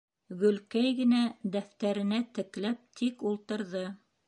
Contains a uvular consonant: no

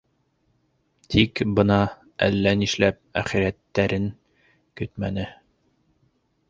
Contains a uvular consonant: yes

